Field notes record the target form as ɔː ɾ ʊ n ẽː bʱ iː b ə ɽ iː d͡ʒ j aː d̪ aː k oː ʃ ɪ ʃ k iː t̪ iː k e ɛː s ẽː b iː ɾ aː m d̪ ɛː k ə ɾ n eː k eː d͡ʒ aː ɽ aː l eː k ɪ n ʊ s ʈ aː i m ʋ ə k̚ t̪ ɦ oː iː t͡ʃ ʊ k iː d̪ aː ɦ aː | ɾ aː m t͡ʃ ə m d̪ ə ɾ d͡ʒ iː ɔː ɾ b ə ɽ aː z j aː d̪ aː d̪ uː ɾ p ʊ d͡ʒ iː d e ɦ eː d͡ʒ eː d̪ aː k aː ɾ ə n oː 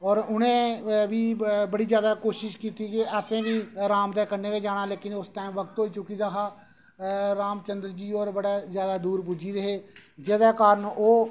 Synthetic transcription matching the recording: ɔː ɾ ʊ n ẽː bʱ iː b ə ɽ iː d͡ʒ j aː d̪ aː k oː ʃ ɪ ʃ k iː t̪ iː k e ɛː s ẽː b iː ɾ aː m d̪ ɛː k ə ɾ n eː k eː d͡ʒ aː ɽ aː l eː k ɪ n ʊ s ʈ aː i m ʋ ə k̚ t̪ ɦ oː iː t͡ʃ ʊ k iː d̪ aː ɦ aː | ɾ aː m t͡ʃ ə n d̪ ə ɾ d͡ʒ iː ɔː ɾ b ə ɽ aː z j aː d̪ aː d̪ uː ɾ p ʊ d͡ʒ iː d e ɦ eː d͡ʒ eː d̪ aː k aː ɾ ə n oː